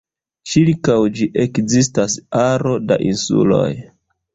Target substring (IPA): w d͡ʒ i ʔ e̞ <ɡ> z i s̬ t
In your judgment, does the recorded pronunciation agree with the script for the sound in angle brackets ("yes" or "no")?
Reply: no